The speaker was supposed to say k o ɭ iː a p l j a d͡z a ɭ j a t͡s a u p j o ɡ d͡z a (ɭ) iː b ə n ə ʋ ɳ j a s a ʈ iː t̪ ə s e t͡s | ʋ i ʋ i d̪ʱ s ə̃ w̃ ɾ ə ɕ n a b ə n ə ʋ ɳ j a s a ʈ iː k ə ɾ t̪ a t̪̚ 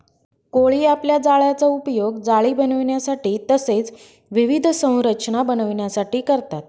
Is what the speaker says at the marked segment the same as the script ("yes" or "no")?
yes